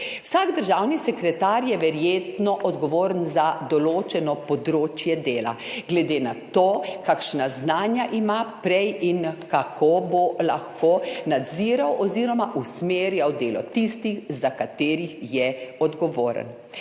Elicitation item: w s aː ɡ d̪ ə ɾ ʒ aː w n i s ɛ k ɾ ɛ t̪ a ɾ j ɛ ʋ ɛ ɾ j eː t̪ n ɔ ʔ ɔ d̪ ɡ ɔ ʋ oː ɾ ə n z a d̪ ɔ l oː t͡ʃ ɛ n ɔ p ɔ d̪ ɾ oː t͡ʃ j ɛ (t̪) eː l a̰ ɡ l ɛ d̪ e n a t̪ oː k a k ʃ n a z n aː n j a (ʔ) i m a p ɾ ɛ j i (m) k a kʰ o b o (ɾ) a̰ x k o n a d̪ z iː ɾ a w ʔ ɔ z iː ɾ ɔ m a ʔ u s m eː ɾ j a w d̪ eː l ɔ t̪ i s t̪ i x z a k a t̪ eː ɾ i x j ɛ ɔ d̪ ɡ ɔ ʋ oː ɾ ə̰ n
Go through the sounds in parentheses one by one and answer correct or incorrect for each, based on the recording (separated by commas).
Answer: incorrect, correct, incorrect, incorrect